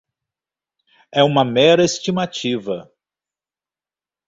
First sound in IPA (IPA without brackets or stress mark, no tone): ɛ